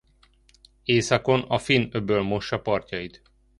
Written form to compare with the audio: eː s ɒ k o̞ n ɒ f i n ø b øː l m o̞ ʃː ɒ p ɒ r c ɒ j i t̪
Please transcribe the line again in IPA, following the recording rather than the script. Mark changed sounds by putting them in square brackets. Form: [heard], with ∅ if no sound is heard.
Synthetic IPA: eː s ɒ k o̞ n ɒ f i n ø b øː l m o̞ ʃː ɒ p ɒ r c ɒ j i t̪